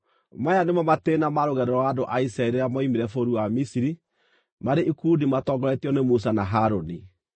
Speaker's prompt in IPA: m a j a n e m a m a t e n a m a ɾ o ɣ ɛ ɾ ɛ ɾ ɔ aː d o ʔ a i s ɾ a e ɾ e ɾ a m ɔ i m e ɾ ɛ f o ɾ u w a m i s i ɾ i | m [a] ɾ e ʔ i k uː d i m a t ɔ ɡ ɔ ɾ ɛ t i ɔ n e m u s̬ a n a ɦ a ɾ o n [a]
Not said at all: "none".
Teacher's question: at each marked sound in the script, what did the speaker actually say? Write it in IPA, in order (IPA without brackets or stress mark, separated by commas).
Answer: a, i